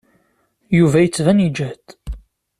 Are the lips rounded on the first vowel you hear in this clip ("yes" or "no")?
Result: yes